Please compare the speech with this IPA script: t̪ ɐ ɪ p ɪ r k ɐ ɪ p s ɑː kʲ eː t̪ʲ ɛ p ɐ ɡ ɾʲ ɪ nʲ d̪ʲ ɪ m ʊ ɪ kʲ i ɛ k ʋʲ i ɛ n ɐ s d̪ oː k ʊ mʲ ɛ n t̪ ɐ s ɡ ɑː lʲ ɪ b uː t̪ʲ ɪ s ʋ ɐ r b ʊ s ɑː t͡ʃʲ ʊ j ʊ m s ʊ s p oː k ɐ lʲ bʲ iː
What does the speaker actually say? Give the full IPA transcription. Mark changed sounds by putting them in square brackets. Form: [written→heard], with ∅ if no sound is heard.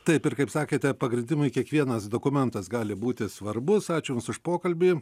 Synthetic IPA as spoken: t̪ ɐ ɪ p ɪ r k ɐ ɪ p s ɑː kʲ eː t̪ʲ ɛ p ɐ ɡ ɾʲ ɪ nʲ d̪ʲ ɪ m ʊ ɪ kʲ i ɛ k ʋʲ i ɛ n ɐ s d̪ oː k ʊ mʲ ɛ n t̪ ɐ s ɡ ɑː lʲ ɪ b uː t̪ʲ ɪ s ʋ ɐ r b ʊ s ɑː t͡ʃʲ ʊ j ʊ m s ʊ [s→ʃ] p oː k ɐ lʲ bʲ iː